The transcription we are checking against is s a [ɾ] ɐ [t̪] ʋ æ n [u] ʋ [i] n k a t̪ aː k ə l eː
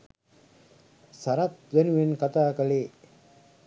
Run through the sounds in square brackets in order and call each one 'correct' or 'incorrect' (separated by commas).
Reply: correct, correct, correct, incorrect